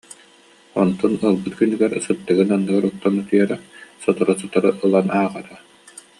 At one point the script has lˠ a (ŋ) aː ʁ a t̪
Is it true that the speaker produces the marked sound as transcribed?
no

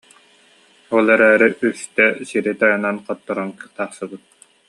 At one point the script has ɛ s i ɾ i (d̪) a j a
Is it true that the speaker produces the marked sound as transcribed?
no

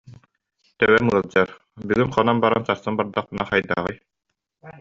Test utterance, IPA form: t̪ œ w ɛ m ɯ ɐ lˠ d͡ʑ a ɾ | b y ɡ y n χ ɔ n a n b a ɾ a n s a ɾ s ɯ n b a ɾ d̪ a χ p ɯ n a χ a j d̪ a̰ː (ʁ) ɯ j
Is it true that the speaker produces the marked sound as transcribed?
yes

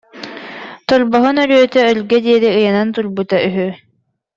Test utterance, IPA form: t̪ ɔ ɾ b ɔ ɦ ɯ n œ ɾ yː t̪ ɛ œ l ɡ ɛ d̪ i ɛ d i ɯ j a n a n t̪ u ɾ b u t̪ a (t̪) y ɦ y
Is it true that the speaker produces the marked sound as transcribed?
no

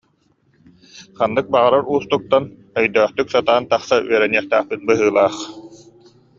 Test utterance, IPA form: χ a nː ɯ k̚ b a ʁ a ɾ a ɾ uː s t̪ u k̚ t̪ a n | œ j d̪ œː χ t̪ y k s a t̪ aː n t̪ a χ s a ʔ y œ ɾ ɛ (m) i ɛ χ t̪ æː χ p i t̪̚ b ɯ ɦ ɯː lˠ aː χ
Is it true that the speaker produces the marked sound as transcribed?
no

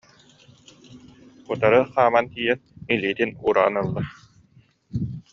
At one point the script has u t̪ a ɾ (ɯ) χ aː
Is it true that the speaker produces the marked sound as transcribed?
yes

